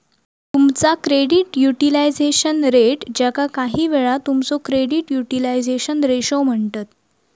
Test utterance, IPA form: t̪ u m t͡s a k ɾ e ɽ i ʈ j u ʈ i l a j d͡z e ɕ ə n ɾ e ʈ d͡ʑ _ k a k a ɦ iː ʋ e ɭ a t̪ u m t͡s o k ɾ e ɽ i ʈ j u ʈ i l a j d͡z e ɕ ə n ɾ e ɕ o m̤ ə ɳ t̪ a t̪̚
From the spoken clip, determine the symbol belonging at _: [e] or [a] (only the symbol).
a